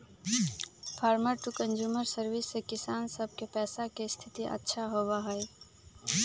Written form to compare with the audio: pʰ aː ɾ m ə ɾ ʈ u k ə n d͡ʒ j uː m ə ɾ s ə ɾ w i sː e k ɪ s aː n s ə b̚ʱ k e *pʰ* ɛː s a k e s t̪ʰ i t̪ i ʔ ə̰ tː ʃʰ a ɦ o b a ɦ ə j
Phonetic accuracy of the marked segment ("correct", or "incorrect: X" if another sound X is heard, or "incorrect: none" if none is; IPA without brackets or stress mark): incorrect: p